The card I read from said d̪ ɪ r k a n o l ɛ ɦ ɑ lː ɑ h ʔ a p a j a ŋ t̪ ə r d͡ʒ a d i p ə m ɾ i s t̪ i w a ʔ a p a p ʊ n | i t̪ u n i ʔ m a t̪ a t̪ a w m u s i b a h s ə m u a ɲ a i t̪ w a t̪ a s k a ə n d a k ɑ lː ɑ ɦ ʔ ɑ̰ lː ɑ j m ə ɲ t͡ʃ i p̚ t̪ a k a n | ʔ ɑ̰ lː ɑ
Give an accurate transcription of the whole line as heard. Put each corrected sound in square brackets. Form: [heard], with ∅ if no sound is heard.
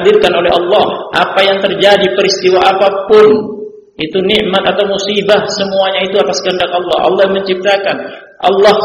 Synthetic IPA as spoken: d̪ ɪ r k a n o l ɛ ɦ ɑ lː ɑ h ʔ a p a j a ŋ t̪ ə r d͡ʒ a d i p ə [∅] ɾ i s t̪ i w a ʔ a p a p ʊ n | i t̪ u n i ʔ m a t̪ a t̪ a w m u s i b a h s ə m u a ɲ a i t̪ [u] a t̪ a s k [ə] ə n d a k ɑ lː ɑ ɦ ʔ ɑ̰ lː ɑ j m ə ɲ t͡ʃ i p̚ t̪ a k a n | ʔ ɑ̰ lː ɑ